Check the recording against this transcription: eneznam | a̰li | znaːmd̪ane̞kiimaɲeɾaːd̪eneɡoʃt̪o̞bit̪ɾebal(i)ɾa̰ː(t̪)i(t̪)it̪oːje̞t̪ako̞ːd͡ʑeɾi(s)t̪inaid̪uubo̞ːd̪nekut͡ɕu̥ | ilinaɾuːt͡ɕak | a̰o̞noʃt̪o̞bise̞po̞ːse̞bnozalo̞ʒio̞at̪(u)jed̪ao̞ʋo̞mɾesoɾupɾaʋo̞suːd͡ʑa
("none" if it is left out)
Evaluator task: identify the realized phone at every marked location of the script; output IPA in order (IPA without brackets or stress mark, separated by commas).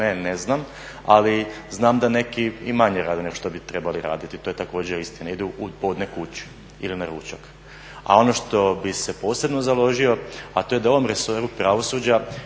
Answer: i, d̪, t̪, s, o